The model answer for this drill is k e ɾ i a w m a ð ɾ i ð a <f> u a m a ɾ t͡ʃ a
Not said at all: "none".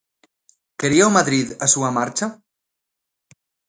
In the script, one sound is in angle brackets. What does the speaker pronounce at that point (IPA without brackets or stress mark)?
s